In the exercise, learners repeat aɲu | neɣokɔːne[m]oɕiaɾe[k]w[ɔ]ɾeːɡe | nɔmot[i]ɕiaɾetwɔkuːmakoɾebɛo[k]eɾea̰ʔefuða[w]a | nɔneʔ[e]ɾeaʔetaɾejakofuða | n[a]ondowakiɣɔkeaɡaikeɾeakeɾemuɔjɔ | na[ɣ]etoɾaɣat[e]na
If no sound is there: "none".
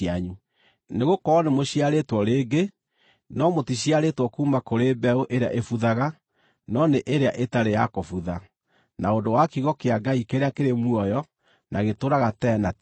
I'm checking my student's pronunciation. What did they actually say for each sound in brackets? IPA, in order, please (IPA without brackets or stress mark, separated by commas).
m, t, ɔ, i, ʔ, ɣ, e, a, ɣ, ɛ